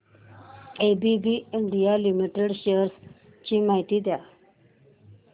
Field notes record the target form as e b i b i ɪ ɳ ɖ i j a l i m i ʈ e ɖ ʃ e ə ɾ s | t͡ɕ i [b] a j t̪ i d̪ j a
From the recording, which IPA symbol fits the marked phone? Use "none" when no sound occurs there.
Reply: m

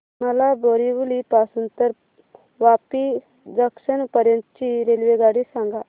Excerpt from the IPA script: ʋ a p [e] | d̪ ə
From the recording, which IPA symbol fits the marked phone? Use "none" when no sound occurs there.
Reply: i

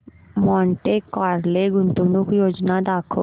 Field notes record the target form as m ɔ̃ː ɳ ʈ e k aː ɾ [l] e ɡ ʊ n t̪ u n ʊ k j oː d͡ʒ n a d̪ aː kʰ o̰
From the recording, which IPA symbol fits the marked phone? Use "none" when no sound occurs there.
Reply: l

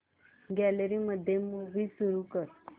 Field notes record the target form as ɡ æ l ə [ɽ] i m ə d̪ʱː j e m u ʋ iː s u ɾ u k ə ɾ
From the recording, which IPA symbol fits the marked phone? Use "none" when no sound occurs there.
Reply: ɾ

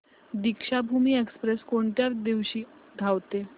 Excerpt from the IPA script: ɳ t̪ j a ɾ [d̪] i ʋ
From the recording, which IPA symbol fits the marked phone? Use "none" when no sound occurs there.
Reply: d̪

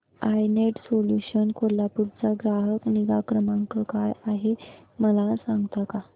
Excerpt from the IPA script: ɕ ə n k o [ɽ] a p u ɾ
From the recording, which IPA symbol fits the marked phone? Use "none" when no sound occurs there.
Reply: l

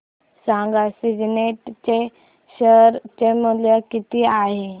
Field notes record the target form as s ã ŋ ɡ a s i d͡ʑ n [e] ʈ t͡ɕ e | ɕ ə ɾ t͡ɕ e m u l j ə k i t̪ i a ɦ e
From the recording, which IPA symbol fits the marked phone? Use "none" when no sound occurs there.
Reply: e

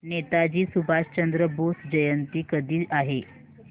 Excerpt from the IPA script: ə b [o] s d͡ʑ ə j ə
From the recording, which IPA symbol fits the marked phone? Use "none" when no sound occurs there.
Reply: o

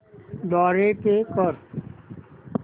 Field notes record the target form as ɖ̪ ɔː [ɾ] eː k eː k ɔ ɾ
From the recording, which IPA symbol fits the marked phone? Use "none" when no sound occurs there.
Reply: ɾ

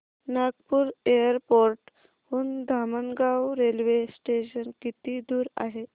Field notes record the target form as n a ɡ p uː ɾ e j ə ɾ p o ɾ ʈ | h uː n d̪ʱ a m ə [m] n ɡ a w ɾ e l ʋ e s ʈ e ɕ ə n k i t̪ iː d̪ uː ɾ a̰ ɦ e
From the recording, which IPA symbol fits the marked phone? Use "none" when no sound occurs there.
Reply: none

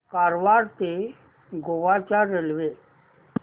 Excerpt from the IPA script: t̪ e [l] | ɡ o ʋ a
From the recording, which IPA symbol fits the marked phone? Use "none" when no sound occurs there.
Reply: none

